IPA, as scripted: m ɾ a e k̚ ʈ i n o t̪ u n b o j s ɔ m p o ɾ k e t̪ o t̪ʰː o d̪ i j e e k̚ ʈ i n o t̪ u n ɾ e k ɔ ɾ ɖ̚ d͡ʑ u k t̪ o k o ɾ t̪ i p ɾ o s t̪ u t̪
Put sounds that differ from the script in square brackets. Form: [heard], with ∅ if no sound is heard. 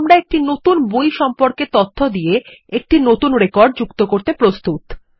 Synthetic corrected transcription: m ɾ a e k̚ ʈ i n o t̪ u n b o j [ʃ] ɔ m p o ɾ k e t̪ o t̪ʰː o d̪ i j e e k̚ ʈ i n o t̪ u n ɾ e k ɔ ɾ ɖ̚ d͡ʑ u k t̪ o k o ɾ t̪ [e] p ɾ o s t̪ u t̪